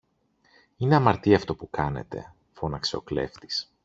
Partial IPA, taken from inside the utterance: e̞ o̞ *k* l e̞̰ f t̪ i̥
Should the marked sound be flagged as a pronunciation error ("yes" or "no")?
no